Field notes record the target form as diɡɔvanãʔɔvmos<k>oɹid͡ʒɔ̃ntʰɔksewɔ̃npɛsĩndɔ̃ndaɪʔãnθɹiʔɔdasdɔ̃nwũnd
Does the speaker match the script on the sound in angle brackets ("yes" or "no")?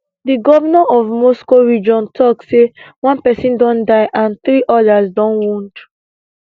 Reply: yes